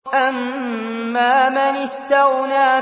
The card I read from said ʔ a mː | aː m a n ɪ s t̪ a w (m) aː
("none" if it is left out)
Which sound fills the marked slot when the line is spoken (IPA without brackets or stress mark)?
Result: n